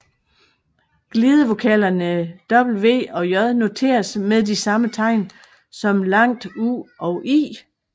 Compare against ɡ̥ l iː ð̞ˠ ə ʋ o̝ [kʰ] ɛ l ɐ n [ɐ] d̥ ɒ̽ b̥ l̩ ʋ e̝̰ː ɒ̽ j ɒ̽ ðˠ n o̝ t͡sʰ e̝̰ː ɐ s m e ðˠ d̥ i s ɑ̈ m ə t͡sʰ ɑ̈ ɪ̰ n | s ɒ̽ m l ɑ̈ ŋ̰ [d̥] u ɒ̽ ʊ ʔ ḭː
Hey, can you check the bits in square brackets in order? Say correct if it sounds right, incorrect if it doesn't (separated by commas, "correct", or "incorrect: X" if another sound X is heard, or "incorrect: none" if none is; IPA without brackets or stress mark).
correct, incorrect: ə, correct